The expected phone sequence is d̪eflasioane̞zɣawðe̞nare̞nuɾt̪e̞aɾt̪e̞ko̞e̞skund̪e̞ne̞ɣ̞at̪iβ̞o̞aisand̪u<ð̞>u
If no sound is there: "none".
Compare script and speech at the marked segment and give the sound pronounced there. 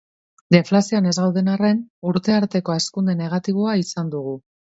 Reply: ɣ̞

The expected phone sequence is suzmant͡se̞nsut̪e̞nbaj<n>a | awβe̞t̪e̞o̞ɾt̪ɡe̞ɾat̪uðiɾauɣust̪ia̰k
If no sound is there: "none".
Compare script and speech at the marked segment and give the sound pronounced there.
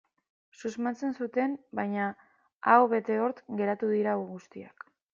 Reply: ɲ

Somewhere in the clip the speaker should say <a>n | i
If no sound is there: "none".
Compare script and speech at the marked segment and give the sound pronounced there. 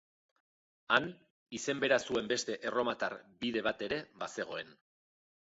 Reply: a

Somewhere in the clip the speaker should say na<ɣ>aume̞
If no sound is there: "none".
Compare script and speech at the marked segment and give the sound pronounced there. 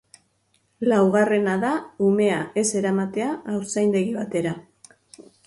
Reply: ð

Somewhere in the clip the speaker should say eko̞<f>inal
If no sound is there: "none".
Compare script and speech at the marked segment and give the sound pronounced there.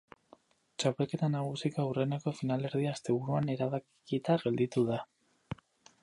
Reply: f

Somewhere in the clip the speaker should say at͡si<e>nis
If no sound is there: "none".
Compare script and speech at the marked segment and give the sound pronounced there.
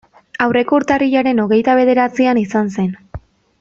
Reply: a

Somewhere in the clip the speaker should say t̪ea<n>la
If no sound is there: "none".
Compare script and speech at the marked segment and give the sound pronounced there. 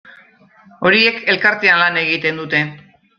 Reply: n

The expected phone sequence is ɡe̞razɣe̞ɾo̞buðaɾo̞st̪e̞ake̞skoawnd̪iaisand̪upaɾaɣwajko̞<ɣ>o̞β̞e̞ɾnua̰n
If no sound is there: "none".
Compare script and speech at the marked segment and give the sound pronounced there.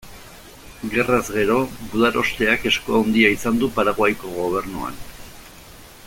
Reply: ɣ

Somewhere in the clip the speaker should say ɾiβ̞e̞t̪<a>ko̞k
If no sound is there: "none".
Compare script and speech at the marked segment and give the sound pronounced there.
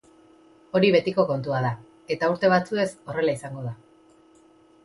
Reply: i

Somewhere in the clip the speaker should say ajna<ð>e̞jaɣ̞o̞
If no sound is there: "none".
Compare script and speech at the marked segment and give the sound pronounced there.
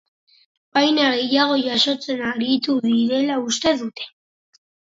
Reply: ɣ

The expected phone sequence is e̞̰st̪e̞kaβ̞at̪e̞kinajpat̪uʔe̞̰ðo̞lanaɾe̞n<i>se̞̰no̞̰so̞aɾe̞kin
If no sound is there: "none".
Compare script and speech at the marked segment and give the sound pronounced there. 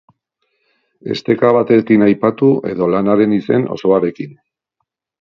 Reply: i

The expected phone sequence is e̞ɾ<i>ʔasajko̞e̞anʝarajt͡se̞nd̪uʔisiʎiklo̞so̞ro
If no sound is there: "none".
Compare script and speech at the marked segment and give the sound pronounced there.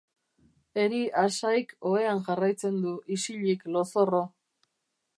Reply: i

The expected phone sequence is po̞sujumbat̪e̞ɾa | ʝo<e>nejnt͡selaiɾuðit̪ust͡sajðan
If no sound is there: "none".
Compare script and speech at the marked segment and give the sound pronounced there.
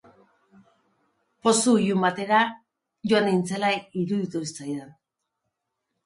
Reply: a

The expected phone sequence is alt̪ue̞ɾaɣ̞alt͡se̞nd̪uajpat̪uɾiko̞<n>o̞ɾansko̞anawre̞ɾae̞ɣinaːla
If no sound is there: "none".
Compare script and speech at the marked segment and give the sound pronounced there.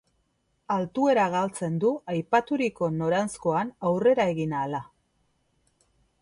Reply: n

